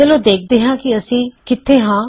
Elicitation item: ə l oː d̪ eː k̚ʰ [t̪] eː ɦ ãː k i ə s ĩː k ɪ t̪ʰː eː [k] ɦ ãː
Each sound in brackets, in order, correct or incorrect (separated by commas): incorrect, incorrect